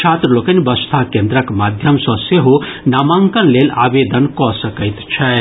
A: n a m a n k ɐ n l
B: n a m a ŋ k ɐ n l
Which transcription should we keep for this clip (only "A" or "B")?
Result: B